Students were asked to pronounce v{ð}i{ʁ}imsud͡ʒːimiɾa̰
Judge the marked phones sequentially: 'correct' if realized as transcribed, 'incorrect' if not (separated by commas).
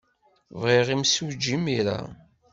incorrect, correct